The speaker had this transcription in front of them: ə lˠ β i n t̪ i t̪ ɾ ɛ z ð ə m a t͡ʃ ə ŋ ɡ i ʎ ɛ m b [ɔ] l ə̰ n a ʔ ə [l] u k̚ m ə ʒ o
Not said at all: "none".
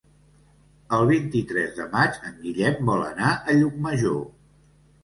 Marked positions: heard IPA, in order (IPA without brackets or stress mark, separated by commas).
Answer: ɔ, ʎ